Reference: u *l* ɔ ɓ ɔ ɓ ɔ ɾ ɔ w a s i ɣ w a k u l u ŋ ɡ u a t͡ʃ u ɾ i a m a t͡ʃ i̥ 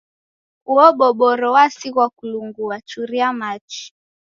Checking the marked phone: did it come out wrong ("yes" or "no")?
yes